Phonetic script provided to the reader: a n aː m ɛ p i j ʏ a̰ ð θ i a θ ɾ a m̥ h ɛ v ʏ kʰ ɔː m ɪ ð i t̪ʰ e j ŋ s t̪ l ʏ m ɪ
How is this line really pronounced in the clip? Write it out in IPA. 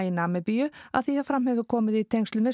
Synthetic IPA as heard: i n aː m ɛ p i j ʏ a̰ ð θ i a f ɾ a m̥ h ɛ v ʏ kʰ ɔː m ɪ ð i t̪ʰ e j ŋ s t̪ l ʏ m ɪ